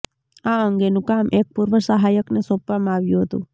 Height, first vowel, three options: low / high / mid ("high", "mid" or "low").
low